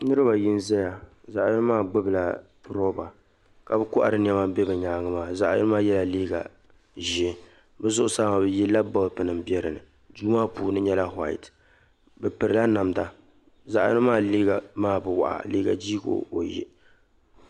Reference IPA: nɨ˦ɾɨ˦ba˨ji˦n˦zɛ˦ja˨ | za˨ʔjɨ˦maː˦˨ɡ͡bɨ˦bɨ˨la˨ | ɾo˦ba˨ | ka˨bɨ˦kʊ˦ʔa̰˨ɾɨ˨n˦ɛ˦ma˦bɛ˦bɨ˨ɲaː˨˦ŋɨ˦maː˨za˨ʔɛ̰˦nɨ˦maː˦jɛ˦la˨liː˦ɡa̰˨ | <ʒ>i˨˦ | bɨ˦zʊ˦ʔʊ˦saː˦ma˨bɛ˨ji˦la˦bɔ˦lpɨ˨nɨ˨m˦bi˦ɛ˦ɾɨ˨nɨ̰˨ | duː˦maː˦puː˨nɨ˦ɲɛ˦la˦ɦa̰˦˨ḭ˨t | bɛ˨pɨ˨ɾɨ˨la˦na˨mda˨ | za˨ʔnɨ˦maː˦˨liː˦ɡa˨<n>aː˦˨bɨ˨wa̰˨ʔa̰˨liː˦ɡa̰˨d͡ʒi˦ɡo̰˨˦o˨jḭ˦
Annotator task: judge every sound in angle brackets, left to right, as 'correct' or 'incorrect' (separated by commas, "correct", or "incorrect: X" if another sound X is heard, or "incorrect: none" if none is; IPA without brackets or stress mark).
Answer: correct, incorrect: m